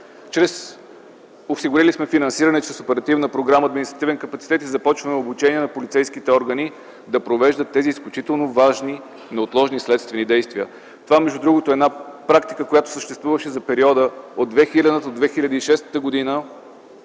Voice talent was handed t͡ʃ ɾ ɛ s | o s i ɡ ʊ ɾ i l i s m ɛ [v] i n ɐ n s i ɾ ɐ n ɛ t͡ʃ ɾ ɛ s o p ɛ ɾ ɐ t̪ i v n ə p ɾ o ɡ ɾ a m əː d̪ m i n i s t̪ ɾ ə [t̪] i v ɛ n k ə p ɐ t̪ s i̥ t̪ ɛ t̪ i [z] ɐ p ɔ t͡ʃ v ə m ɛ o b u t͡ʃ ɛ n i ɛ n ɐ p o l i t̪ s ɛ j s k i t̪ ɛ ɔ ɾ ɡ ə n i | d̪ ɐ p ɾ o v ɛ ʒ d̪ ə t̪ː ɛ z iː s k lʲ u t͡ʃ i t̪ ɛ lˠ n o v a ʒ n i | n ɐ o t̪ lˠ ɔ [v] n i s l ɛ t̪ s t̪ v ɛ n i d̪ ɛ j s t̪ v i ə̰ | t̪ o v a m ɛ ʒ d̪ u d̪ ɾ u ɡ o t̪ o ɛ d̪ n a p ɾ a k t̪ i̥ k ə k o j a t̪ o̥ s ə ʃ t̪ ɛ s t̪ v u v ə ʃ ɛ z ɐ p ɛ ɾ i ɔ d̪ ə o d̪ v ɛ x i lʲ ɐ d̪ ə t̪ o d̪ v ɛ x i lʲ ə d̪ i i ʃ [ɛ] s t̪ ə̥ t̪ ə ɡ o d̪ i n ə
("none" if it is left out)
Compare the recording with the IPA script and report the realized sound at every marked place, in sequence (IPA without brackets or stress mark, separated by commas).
f, t̪, z, ʒ, ɛ